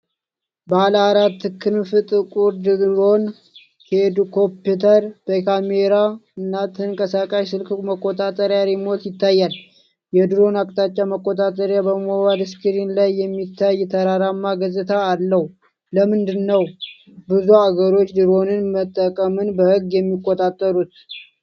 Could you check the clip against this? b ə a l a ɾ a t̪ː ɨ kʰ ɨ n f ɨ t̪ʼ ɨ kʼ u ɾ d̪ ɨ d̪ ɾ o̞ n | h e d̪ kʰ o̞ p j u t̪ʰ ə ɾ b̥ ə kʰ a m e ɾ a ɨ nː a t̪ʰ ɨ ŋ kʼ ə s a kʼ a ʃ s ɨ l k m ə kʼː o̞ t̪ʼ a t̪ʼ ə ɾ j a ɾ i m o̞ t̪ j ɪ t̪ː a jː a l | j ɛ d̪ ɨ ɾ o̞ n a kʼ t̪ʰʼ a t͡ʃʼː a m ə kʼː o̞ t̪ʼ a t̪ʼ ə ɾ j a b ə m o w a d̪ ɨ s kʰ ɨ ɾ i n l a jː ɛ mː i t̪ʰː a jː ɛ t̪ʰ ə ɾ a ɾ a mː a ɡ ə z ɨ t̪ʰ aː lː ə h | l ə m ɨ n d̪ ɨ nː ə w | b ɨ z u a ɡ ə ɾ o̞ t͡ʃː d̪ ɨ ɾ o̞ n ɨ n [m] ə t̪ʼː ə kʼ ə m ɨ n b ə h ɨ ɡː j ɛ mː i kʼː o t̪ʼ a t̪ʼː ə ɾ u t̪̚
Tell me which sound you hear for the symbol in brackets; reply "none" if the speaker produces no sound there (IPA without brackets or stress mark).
m